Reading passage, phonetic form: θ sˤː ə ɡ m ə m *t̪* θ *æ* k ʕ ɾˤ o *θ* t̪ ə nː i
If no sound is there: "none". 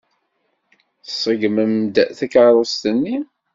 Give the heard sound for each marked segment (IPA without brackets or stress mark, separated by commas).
d̪, æ, s